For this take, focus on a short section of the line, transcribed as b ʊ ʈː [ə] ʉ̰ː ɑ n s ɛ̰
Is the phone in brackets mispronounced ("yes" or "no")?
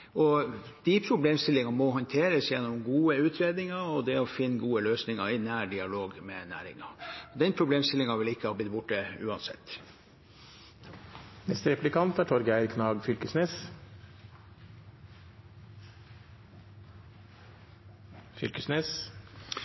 no